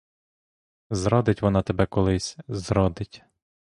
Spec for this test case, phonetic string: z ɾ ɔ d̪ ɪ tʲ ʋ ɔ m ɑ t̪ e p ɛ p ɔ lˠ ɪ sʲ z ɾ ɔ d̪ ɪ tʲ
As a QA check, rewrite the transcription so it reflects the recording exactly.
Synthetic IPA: z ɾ ɔ d̪ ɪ tʲ ʋ ɔ n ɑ t̪ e b ɛ k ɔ lˠ ɪ sʲ z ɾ ɔ d̪ ɪ tʲ